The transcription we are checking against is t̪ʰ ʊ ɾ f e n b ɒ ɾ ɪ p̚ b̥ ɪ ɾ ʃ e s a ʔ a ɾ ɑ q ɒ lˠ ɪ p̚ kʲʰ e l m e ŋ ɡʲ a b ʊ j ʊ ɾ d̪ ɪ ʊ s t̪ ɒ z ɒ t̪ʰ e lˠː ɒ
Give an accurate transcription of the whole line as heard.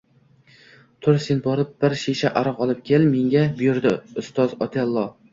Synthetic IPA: t̪ʰ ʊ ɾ s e n b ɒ ɾ ɪ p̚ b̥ ɪ ɾ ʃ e ʃ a ʔ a ɾ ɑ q ɒ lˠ ɪ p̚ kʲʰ e l m e ŋ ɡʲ a b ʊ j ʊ ɾ d̪ ɪ ʊ s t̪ ɒ z ɒ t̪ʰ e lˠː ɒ

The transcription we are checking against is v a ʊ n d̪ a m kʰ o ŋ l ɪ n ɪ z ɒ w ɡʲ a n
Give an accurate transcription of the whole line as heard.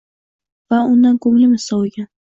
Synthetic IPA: v a ʊ n d̪ a n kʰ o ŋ l ɪ m ɪ s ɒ w ɡʲ a n

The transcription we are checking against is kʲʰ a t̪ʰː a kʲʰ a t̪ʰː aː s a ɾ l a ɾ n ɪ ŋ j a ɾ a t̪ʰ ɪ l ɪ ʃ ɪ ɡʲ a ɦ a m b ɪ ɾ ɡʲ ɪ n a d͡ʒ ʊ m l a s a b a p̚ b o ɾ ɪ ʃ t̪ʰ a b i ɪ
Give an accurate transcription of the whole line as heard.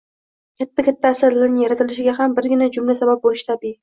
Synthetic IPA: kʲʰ a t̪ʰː a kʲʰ a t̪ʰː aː s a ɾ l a ɾ n ɪ ŋ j a ɾ a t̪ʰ ɪ l ɪ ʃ ɪ ɡʲ a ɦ a m b ɪ ɾ ɡʲ ɪ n a d͡ʒ ʊ m l a s a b a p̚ b o l ɪ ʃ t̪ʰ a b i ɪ

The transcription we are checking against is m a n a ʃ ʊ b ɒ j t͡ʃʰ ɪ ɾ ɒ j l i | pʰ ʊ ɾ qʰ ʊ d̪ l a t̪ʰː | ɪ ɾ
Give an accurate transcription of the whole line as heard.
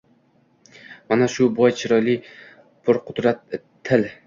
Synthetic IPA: m a n a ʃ ʊ b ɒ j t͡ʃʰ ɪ ɾ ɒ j l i | pʰ ʊ ɾ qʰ ʊ d̪ ɾ a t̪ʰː | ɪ l

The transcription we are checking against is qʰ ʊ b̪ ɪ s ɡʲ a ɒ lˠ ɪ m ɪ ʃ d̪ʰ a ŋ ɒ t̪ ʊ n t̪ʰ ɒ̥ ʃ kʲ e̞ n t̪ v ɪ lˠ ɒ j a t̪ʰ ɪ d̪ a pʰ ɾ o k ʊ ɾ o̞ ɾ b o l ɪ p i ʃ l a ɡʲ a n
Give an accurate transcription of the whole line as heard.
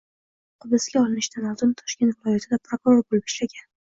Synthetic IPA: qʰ ʊ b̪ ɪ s ɡʲ a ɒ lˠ ɪ n ɪ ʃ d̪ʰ a n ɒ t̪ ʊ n t̪ʰ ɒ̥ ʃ kʲ e̞ n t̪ v ɪ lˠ ɒ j a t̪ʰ ɪ d̪ a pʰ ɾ o k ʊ ɾ o̞ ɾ b o l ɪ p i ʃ l a ɡʲ a n

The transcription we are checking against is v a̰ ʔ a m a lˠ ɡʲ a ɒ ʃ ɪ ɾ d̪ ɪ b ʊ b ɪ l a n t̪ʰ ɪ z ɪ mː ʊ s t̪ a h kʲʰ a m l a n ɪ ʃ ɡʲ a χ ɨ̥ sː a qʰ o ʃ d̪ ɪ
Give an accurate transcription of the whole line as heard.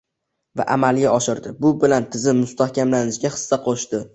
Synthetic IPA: v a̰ ʔ a m a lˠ ɡʲ a ɒ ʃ ɪ ɾ d̪ ɪ b ʊ b ɪ l a n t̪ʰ ɪ z ɪ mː ʊ s t̪ a h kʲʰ a m l a n ɪ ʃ ɡʲ a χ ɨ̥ sː a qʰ o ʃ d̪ ɪ

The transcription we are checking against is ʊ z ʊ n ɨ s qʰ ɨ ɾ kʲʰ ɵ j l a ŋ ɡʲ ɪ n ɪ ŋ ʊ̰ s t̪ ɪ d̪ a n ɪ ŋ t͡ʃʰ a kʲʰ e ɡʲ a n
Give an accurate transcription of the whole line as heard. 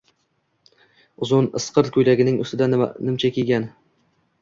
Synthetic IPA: ʊ z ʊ n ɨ s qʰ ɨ ɾ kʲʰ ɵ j l a ɡʲ ɪ n ɪ ŋ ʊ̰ s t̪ ɪ d̪ a n ɪ m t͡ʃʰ a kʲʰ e ɡʲ a n

